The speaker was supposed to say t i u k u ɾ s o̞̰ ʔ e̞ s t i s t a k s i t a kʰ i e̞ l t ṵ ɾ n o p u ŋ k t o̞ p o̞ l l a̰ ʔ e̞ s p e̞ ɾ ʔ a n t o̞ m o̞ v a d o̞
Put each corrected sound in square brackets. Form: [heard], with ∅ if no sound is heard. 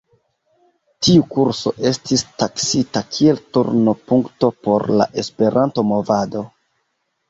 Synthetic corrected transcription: t i u k u ɾ s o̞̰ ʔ e̞ s t i s t a k s i t a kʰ i e̞ l t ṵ ɾ n o p u ŋ k t o̞ p o̞ [ɾ] l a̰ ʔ e̞ s p e̞ ɾ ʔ a n t o̞ m o̞ v a d o̞